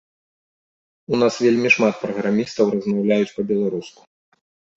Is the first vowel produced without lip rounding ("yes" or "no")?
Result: no